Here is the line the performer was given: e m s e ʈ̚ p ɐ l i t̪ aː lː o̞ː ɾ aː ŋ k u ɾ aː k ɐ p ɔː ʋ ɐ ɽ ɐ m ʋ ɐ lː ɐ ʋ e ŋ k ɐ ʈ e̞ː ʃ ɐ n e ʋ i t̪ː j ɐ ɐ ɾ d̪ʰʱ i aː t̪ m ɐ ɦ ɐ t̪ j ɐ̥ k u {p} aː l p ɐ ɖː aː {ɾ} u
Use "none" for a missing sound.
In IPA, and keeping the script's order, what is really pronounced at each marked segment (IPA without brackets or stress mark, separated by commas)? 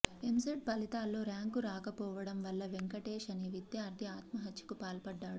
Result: p, ɽ